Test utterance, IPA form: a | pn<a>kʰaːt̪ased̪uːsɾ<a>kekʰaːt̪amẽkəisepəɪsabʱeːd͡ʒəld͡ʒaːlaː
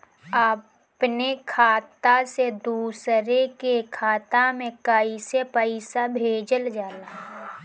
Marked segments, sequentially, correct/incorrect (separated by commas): incorrect, incorrect